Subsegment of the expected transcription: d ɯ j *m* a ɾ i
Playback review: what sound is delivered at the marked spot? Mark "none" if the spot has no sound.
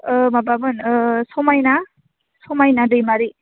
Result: m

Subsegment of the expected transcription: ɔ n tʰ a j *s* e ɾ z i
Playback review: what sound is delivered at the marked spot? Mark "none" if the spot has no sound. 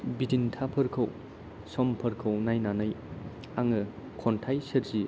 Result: s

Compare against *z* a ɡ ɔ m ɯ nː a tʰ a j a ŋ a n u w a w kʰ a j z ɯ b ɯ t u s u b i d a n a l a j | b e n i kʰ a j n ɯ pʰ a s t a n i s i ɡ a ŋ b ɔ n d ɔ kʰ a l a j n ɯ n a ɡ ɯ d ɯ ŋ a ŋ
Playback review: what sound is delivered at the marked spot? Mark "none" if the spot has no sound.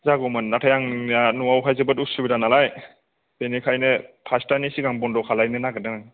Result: z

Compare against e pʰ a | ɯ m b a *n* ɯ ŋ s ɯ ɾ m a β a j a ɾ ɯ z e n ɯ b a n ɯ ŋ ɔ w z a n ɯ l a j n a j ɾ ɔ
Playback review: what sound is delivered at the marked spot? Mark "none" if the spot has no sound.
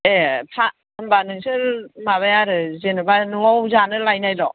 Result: n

